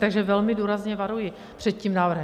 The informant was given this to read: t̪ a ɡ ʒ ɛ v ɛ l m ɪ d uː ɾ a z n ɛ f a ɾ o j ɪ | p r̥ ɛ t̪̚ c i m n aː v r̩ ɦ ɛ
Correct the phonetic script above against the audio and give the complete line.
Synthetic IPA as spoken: t̪ a ɡ ʒ ɛ v ɛ l m ɪ d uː ɾ a z ɲ ɛ v a ɾ u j ɪ | p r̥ ɛ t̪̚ c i m n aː v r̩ ɦ ɛ